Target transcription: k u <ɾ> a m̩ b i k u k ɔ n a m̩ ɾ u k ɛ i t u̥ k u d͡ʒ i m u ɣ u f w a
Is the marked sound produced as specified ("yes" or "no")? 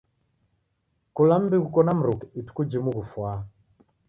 no